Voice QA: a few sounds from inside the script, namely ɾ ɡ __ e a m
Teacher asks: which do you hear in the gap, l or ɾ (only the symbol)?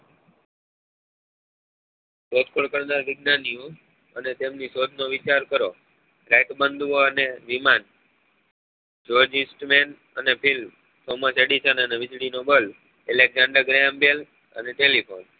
ɾ